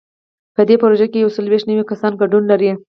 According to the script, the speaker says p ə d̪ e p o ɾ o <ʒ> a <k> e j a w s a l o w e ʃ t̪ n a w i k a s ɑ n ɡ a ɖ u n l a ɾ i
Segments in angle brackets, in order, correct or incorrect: correct, correct

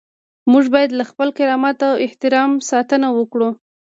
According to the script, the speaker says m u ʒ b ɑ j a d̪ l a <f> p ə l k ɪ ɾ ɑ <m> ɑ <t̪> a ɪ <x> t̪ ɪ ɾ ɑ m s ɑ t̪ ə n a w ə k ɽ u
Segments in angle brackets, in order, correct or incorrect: incorrect: x, correct, correct, incorrect: h

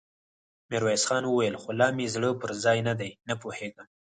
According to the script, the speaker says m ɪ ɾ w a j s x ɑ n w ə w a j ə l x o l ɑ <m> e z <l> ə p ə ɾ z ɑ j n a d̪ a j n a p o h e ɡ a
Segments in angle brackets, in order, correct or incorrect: correct, incorrect: ɽ

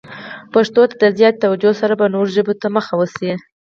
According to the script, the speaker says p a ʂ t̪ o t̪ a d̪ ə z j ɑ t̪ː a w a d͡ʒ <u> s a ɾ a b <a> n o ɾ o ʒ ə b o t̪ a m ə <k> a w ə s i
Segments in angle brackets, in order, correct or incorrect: incorrect: o, correct, incorrect: x

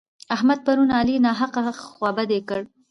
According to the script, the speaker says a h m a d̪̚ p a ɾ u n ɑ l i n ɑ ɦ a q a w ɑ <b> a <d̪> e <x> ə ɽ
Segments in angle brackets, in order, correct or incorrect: correct, correct, incorrect: k

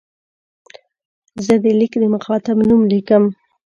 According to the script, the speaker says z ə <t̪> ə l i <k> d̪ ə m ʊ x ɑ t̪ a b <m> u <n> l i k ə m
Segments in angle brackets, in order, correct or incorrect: incorrect: d̪, correct, incorrect: n, incorrect: m

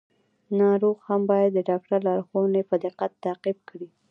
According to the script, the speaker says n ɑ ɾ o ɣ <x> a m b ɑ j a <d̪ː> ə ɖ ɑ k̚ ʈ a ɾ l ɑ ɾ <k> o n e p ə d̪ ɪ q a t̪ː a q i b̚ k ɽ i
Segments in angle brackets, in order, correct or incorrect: incorrect: h, correct, incorrect: x

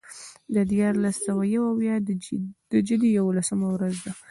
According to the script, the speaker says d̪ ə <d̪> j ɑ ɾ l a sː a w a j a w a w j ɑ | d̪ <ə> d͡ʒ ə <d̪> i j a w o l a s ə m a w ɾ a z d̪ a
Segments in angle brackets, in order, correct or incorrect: correct, correct, correct

